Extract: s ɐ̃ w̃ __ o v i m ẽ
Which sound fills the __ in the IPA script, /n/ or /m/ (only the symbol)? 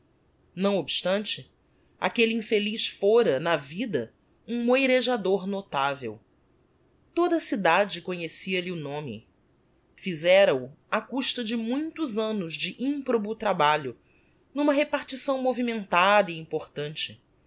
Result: m